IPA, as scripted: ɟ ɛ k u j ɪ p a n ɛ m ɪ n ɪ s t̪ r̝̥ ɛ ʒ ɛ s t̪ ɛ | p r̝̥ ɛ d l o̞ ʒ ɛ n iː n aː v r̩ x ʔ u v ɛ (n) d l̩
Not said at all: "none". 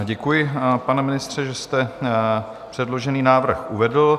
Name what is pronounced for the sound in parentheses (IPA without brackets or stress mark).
none